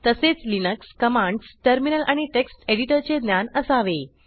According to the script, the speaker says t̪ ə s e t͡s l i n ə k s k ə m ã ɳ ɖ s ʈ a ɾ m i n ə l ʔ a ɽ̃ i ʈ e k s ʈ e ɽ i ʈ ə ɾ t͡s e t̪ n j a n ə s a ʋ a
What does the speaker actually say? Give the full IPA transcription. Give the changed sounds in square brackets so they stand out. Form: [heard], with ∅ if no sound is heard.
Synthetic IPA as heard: t̪ ə s e t͡s l i n ə k s k ə m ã ɳ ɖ s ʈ [ə] ɾ m i n ə l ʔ a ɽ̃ i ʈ e k s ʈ e ɽ i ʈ ə ɾ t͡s e [d̪] n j a n ə s a ʋ [e]